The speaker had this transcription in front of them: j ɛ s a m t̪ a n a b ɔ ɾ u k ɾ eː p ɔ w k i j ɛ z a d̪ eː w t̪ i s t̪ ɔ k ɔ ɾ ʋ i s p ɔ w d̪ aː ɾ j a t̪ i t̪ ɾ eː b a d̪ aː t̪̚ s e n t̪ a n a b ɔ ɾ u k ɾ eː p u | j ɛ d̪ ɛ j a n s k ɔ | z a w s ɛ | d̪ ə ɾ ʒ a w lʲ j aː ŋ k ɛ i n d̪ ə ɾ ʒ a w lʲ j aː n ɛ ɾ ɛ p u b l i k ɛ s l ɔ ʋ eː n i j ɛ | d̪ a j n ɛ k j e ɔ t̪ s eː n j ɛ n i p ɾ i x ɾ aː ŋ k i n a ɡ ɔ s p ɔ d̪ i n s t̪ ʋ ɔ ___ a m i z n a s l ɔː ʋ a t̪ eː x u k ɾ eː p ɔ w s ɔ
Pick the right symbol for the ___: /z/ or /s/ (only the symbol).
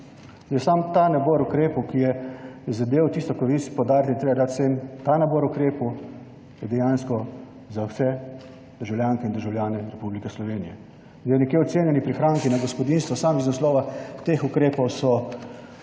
s